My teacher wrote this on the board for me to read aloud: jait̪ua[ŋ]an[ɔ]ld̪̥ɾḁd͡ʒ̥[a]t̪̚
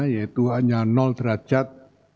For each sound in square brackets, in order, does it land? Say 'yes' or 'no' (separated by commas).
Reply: no, yes, yes